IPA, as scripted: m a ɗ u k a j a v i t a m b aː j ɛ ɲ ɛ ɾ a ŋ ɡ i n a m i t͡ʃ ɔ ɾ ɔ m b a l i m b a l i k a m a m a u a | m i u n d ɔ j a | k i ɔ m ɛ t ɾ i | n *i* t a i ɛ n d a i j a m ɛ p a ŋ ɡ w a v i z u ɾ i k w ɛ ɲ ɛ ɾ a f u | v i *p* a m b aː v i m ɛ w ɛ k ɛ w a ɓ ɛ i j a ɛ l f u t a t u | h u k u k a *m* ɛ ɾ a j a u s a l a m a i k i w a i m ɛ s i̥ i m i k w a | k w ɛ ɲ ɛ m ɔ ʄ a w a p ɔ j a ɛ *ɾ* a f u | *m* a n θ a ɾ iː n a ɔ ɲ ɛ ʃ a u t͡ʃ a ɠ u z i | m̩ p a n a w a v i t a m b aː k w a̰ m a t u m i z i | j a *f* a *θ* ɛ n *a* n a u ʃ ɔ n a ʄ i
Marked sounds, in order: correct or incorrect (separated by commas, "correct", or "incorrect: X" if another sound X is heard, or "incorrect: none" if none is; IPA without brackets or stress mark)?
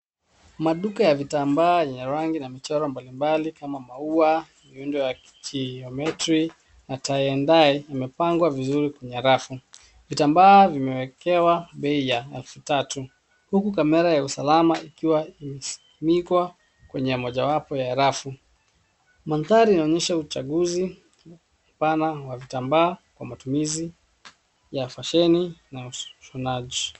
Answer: incorrect: a, incorrect: t, correct, correct, correct, correct, incorrect: ʃ, incorrect: i